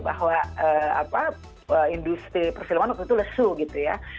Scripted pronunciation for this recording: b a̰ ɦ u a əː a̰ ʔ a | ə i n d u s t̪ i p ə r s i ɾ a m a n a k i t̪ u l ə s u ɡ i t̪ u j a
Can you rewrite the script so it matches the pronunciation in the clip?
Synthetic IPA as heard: b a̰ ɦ w a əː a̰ p a | ə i n d u s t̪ i p ə r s i l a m a n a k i t̪ u l ə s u ɡ i t̪ u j a